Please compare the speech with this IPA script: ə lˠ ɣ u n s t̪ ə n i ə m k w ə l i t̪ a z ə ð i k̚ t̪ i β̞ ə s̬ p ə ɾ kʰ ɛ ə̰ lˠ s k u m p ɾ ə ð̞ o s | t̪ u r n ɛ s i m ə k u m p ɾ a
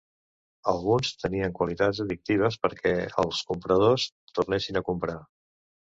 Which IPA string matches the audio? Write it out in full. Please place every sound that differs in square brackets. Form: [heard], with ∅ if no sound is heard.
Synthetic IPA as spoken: ə lˠ ɣ u n s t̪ ə n i ə [ŋ] k w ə l i t̪ a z ə ð i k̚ t̪ i β̞ ə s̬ p ə ɾ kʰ ɛ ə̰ lˠ s k u m p ɾ ə ð̞ o s | t̪ u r n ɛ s i [n] ə k u m p ɾ a